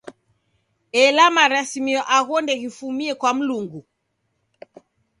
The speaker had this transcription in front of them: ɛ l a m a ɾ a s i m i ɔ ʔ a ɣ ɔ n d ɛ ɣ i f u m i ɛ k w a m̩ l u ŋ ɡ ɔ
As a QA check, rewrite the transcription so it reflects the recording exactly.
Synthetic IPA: ɛ l a m a ɾ a s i m i ɔ ʔ a ɣ ɔ n d ɛ ɣ i f u m i ɛ k w a m̩ l u ŋ ɡ u